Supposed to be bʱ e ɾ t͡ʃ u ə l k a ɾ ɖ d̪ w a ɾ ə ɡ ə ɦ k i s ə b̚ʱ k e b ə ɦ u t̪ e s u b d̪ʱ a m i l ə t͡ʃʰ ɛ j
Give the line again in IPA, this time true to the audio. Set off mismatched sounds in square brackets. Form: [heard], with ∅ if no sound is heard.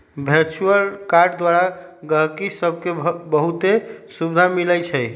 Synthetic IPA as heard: bʱ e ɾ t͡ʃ u ə l k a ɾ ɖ d̪ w a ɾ [a] ɡ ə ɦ k i s ə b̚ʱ k e b ə ɦ u t̪ e s u b d̪ʱ a m i l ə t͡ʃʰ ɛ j